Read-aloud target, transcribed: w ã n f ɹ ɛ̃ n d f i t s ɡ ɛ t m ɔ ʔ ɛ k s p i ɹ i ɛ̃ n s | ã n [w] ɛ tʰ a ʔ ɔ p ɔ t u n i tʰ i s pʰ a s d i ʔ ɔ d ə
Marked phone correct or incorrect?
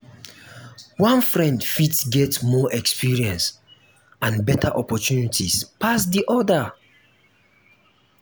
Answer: incorrect